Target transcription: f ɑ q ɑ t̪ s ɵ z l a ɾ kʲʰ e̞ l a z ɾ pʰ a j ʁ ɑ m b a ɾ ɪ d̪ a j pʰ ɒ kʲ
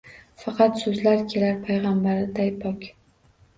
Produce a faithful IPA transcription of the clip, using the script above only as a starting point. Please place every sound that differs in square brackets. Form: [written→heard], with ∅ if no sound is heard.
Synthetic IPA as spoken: f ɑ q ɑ t̪ s ɵ z l a ɾ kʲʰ e̞ l a [z→∅] ɾ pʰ a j ʁ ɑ m b a ɾ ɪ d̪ a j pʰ ɒ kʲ